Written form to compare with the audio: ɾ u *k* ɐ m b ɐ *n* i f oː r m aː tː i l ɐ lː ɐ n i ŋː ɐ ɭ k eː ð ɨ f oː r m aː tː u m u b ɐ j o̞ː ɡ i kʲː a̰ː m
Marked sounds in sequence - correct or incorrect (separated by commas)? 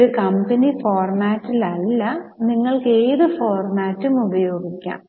correct, correct